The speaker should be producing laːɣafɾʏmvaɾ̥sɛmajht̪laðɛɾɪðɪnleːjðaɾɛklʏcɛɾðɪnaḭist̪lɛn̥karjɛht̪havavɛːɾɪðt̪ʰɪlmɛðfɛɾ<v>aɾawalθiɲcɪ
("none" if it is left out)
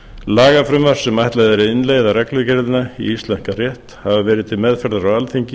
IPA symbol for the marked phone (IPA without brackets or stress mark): ð